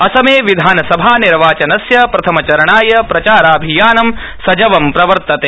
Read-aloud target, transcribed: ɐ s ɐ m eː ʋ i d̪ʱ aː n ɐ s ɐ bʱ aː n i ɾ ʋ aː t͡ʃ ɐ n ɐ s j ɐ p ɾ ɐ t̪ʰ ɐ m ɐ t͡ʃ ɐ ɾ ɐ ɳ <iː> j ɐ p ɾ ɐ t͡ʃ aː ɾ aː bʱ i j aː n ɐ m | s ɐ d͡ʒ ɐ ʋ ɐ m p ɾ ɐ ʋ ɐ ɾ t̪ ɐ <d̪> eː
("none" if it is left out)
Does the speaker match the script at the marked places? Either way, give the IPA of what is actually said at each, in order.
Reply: aː, t̪

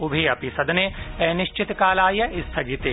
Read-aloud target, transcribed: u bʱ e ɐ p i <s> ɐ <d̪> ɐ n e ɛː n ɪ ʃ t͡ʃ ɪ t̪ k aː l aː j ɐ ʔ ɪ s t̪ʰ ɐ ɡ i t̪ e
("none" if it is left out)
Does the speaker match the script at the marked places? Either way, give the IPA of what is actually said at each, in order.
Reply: s, d̪

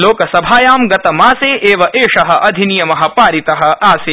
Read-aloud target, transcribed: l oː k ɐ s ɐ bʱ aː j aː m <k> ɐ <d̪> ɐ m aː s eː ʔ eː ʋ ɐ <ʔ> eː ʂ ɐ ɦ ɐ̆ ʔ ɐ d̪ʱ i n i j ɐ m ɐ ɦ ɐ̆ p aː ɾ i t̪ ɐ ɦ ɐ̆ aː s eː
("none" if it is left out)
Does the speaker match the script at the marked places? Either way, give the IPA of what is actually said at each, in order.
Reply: ɡ, t̪, ʔ

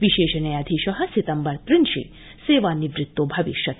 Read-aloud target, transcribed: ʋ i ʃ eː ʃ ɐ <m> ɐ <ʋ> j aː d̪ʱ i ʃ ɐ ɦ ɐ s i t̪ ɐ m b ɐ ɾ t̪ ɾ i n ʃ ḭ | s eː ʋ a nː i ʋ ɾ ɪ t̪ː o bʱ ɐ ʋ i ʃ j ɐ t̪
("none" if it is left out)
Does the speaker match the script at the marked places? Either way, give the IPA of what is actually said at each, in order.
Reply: n, none

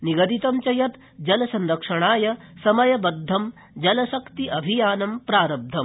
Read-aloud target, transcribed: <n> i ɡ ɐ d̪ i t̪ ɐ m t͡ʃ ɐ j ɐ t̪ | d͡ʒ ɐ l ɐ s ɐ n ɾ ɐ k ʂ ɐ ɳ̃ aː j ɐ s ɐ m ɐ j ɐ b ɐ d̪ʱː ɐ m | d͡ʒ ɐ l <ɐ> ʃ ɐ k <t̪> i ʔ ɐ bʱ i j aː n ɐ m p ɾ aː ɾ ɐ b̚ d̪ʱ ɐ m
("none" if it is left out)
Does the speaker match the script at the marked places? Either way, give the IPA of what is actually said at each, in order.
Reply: n, ɐ, t̪

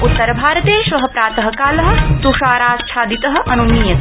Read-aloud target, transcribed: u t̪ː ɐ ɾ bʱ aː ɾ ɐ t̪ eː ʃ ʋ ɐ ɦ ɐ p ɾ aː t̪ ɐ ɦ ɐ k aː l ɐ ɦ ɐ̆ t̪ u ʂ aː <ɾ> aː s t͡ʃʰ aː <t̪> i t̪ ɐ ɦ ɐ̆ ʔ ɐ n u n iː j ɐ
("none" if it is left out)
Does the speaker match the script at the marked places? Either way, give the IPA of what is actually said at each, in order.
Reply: ɾ, d̪

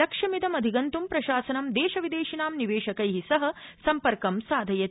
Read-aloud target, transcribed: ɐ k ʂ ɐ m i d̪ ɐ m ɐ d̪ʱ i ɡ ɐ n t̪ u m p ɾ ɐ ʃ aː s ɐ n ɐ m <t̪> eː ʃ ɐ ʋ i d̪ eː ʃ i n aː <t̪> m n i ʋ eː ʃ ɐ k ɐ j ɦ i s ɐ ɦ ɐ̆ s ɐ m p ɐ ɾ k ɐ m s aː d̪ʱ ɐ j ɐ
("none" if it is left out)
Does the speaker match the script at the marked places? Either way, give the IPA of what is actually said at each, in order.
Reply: d̪, none

